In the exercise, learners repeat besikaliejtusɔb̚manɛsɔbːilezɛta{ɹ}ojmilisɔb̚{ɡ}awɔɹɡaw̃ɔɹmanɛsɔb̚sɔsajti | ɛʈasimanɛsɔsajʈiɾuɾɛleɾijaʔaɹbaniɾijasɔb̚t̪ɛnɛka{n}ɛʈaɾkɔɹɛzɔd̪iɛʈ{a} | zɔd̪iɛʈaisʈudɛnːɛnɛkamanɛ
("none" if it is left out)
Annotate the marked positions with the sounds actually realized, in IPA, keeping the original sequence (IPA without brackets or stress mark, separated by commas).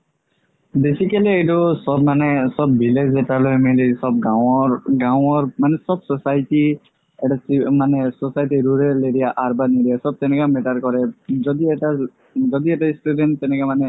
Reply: l, ɡ, m, a